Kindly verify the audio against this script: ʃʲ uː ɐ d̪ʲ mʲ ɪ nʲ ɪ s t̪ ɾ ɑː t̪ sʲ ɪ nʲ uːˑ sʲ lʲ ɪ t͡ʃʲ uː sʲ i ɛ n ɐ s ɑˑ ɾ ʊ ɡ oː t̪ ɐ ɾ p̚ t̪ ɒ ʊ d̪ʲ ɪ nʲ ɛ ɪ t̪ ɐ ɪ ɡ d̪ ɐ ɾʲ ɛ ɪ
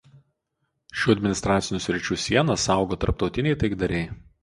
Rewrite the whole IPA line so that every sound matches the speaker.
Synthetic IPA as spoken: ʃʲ uː ɐ d̪ʲ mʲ ɪ nʲ ɪ s t̪ ɾ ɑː t̪ sʲ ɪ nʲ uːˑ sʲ ɾʲ ɪ t͡ʃʲ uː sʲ i ɛ n ɐ s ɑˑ ʊ ɡ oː t̪ ɐ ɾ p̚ t̪ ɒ ʊ t̪ʲ ɪ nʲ ɛ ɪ t̪ ɐ ɪ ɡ d̪ ɐ ɾʲ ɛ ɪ

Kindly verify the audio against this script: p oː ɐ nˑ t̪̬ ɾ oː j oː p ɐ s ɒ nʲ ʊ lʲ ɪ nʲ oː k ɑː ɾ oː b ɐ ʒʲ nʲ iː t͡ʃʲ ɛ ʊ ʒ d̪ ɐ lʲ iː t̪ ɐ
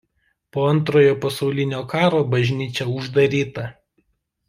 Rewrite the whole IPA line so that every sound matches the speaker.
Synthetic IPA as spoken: p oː ɐ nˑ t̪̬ ɾ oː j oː p ɐ s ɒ ʊ lʲ ɪ nʲ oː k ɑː ɾ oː b ɐ ʒʲ nʲ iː t͡ʃʲ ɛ ʊ ʒ d̪ ɐ ɾʲ iː t̪ ɐ

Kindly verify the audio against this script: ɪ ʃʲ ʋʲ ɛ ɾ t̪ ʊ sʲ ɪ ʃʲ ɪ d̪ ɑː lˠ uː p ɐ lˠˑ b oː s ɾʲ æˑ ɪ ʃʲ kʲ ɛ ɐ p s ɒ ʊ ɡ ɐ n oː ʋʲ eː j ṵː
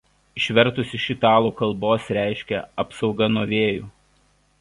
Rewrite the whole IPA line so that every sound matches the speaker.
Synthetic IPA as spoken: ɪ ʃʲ ʋʲ ɛ ɾ t̪ ʊ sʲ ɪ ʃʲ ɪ t̪ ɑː lˠ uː k ɐ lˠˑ b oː s ɾʲ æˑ ɪ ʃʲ kʲ ɛ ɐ p s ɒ ʊ ɡ ɐ n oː ʋʲ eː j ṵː

